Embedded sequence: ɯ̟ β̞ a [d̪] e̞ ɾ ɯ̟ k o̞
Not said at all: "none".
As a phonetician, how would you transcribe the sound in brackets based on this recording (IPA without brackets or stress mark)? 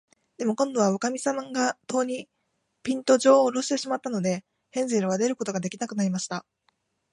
d̪